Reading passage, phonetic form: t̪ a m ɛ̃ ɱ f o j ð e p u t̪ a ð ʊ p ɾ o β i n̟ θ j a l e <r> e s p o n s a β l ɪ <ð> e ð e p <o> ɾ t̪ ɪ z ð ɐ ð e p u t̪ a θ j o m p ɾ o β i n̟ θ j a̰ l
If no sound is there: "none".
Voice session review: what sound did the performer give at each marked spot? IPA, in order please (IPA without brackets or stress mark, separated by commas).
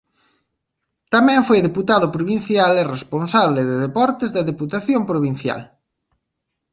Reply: r, ð, ɔ